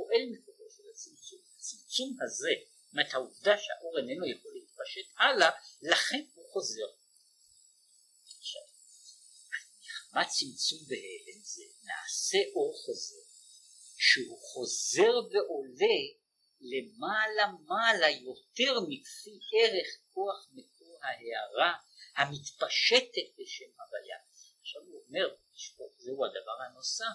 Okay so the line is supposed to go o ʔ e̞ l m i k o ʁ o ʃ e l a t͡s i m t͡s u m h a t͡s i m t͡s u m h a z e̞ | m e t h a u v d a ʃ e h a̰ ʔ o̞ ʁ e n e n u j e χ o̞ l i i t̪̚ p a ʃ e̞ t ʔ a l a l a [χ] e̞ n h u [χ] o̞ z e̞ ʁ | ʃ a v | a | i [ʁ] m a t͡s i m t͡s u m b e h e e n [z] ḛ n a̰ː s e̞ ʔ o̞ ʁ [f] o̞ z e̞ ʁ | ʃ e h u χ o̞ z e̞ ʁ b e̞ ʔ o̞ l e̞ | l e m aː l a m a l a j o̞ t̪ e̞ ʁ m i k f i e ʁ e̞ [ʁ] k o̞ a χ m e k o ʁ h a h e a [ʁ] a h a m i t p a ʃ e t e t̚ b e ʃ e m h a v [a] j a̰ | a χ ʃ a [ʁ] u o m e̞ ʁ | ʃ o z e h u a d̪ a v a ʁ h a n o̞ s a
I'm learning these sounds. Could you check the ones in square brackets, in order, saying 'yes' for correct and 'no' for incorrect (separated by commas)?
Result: yes, yes, no, yes, no, no, yes, yes, no